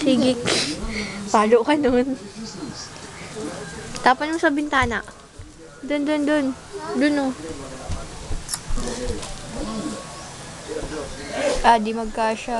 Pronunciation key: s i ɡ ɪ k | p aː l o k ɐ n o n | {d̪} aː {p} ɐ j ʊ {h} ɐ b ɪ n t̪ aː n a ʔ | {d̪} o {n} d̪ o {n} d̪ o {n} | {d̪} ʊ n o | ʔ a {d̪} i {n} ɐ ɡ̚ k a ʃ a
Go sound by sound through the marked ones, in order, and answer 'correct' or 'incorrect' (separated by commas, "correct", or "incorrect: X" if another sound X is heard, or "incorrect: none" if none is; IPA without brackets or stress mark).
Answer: incorrect: t̪, correct, incorrect: s, correct, correct, correct, correct, correct, correct, incorrect: m